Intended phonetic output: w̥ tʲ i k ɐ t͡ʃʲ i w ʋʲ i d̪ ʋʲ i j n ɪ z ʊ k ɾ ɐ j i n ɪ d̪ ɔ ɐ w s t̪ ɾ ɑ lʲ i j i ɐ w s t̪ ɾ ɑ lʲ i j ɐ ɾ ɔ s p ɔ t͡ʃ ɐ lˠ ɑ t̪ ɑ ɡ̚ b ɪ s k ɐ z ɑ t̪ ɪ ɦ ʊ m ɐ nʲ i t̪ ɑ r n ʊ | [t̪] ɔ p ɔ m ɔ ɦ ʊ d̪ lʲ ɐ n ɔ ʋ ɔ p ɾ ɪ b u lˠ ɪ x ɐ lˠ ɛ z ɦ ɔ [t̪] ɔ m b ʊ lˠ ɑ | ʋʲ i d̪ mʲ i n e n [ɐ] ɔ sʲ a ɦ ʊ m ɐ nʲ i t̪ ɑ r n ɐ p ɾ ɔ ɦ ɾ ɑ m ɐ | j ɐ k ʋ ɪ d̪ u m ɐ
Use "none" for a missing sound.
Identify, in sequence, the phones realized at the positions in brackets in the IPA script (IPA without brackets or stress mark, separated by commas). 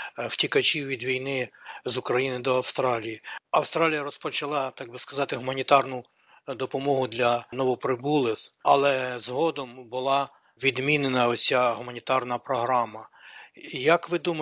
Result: d̪, d̪, ɐ